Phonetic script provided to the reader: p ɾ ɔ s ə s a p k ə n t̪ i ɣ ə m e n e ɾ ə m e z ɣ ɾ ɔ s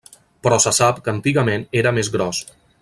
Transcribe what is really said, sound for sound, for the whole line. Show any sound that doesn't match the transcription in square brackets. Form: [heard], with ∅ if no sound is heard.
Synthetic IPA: p ɾ ɔ s ə s a p k ə n t̪ i ɣ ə m e n e ɾ ə m e z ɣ ɾ ɔ s